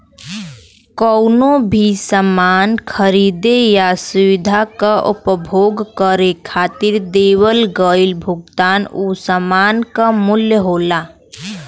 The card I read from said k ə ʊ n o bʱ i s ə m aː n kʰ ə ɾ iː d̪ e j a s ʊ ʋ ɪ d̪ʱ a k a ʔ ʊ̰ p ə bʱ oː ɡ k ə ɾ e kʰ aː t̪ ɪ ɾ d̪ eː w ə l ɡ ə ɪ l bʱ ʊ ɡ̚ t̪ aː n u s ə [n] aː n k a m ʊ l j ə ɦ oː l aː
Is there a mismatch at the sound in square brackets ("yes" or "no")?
yes